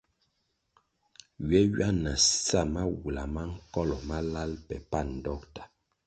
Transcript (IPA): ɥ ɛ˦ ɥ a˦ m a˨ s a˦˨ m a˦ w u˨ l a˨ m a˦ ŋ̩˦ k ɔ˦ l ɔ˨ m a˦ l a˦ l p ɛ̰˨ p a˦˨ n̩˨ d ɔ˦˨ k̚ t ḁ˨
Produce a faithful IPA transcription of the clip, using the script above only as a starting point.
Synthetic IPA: ɥ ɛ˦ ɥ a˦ n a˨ s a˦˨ m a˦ w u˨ l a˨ m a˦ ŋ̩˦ k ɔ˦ l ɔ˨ m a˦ l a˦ l p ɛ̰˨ p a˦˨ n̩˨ d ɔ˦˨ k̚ t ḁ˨